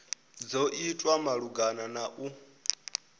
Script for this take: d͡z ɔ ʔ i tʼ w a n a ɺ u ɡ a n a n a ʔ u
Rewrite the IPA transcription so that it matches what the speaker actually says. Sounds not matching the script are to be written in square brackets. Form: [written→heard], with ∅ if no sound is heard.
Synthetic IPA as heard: d͡z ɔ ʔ i tʼ w a [n→m] a ɺ u ɡ a n a n a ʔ u